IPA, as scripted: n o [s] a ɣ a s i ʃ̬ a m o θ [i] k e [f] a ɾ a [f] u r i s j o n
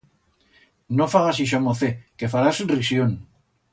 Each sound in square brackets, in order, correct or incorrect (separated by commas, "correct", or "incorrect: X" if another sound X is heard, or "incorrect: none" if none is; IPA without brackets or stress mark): incorrect: f, incorrect: e, correct, incorrect: s